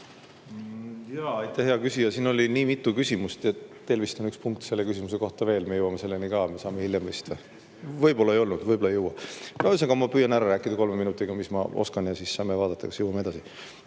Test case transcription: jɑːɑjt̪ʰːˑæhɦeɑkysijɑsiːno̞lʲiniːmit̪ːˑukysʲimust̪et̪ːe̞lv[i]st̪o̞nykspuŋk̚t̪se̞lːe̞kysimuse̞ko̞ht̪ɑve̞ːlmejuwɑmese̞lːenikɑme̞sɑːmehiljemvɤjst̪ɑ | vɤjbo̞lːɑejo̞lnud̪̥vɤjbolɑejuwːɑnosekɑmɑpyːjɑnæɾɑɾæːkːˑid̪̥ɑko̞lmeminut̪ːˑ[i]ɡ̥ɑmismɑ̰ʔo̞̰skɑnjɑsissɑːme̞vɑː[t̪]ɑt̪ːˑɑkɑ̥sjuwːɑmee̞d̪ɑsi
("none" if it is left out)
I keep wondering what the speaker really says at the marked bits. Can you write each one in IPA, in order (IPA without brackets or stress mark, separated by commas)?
i, i, d̪